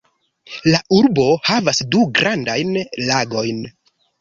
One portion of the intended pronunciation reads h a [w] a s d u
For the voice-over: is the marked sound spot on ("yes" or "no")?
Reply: no